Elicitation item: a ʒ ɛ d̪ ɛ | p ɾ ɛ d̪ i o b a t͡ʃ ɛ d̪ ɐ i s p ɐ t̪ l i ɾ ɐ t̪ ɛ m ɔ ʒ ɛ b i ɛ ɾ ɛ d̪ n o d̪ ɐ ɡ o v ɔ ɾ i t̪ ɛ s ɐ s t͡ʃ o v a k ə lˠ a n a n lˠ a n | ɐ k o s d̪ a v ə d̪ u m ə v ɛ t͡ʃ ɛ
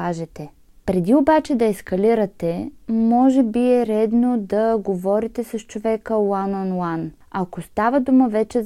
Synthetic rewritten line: a ʒ ɛ t̪ ɛ | p ɾ ɛ d̪ i o b a t͡ʃ ɛ d̪ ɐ ɛ s k ɐ l i ɾ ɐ t̪ ɛ m ɔ ʒ ɛ b i ɛ ɾ ɛ d̪ n o d̪ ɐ ɡ o v ɔ ɾ i t̪ ɛ s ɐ s t͡ʃ o v ɛ k ə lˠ a n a n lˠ a n | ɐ k o s t̪ a v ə d̪ u m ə v ɛ t͡ʃ ɛ